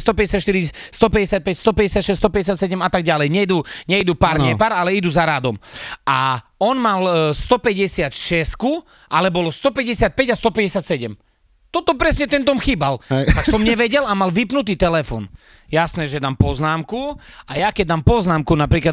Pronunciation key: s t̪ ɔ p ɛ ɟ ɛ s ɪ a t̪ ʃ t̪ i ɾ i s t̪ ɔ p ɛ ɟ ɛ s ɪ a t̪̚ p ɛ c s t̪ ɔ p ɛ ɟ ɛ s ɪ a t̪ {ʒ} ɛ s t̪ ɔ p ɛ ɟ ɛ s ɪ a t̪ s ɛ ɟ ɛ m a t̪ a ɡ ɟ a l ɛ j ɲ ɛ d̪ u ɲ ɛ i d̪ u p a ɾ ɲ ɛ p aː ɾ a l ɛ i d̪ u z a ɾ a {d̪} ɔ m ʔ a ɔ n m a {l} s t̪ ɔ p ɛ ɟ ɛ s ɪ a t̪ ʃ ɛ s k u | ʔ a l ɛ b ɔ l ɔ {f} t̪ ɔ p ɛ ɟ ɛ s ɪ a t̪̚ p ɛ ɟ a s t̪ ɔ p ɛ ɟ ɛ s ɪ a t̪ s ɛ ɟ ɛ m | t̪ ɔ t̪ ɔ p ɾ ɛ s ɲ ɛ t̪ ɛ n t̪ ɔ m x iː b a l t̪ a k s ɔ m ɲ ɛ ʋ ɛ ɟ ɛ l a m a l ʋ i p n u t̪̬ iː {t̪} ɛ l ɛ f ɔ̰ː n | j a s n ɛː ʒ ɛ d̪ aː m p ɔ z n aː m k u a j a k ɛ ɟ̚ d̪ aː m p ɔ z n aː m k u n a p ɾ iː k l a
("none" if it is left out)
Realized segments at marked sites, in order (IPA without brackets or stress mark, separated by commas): ʃ, d̪, l, s, t̪